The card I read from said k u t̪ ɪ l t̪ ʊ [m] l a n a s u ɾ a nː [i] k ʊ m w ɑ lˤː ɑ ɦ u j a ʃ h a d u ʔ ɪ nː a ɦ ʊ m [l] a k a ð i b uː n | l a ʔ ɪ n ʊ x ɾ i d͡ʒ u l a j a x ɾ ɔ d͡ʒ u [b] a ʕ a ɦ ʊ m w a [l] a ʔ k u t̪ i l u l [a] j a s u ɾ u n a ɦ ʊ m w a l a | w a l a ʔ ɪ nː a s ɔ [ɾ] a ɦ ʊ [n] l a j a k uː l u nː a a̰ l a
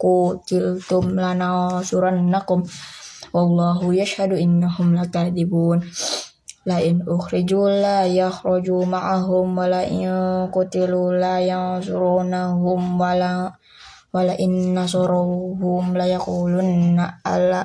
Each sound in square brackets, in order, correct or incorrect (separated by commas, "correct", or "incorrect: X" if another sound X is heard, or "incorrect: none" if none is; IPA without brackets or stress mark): correct, incorrect: a, correct, incorrect: m, correct, correct, correct, incorrect: m